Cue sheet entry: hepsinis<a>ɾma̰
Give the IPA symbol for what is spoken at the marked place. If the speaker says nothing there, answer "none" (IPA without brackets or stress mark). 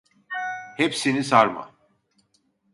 a